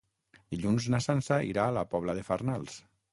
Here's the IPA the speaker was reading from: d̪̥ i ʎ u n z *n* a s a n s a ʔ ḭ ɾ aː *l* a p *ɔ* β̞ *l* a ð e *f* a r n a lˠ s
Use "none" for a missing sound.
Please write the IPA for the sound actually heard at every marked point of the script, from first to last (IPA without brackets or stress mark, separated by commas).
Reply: n, l, ɔ, l, f